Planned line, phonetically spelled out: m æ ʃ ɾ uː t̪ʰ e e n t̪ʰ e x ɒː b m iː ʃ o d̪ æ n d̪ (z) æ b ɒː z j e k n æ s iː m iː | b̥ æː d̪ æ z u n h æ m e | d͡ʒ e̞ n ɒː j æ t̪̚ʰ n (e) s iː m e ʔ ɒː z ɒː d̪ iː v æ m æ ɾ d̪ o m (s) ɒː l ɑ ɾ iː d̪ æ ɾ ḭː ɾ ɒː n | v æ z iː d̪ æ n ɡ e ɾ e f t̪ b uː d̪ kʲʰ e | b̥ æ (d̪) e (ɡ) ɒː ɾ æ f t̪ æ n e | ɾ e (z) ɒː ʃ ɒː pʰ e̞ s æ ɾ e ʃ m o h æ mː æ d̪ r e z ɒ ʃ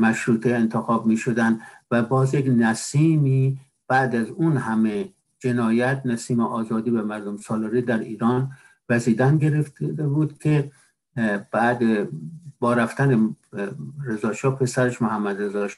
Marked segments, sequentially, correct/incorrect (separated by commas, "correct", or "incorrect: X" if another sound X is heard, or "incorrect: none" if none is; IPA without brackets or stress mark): incorrect: v, incorrect: æ, correct, correct, incorrect: b, correct